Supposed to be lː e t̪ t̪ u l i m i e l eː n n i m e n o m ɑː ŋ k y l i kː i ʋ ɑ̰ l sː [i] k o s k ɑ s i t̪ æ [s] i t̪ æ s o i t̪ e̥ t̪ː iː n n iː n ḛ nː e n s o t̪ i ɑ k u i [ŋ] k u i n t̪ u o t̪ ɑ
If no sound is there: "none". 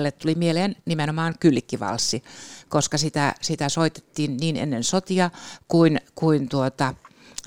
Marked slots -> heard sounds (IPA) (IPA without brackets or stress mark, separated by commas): i, s, n